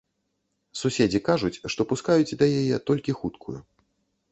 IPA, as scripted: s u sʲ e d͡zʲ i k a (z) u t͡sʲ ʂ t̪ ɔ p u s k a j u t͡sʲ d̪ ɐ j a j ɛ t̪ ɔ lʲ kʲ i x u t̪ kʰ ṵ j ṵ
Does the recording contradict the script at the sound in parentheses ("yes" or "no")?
yes